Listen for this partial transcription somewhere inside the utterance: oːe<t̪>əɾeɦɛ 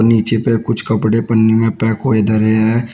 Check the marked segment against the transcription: incorrect: d̪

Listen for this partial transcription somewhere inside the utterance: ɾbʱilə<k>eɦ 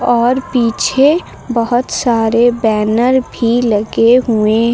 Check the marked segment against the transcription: incorrect: ɡ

